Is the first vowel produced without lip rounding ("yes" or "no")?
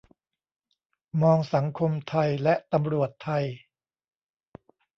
no